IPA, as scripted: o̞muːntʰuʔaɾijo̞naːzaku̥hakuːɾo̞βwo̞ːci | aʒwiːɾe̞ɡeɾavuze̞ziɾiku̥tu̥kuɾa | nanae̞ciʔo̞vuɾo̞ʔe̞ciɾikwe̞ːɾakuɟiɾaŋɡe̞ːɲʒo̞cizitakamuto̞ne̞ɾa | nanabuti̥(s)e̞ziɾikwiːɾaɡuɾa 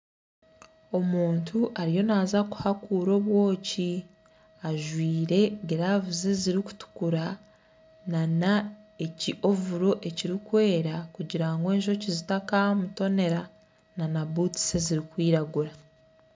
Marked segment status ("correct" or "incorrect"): correct